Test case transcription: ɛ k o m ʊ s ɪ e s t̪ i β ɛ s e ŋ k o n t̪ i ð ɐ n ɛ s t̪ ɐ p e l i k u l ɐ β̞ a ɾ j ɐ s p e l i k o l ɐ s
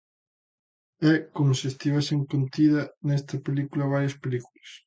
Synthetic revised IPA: ɛ k o m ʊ s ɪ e s t̪ i β ɛ s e ŋ k o n t̪ i ð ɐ n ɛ s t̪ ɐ p e l i k u l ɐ β̞ a ɾ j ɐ s p e l i k u l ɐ s